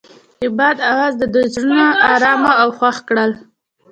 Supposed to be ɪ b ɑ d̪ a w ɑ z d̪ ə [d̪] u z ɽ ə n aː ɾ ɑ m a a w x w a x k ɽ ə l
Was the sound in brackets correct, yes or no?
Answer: yes